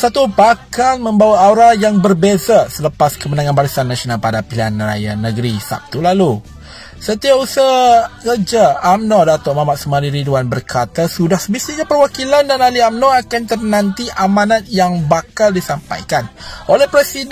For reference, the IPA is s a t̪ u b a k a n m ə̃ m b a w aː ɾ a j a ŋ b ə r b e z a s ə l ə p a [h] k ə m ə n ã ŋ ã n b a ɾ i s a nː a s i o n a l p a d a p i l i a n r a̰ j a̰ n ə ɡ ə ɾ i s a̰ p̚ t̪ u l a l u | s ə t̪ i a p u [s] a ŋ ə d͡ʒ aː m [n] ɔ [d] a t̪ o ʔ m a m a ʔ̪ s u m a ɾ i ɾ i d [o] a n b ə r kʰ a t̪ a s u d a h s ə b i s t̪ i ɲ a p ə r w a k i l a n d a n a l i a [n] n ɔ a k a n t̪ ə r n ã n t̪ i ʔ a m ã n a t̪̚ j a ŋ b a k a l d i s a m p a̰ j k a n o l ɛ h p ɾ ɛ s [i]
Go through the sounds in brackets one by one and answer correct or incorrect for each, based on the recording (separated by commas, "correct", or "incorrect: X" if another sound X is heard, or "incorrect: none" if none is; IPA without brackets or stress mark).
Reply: incorrect: s, correct, correct, correct, incorrect: u, incorrect: m, correct